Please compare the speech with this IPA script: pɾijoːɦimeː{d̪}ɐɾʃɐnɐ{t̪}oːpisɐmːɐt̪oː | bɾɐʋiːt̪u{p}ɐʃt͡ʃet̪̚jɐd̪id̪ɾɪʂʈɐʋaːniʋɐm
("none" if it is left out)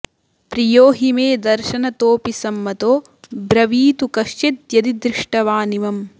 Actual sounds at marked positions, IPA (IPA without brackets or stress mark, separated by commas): d̪, t̪, k